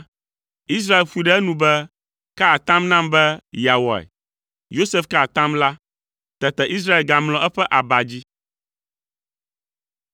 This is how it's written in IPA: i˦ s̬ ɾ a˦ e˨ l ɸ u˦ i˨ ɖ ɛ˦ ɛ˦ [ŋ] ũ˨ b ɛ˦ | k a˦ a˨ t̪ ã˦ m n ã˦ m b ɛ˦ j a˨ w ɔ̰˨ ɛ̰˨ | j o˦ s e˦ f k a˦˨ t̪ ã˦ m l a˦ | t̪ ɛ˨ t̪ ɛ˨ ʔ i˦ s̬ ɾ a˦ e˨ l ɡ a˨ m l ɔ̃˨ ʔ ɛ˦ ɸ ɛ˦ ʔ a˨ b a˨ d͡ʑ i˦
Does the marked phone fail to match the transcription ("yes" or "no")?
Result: yes